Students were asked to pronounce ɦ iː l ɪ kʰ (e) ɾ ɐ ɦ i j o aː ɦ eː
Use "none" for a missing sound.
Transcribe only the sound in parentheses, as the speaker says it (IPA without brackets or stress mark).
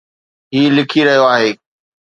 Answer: i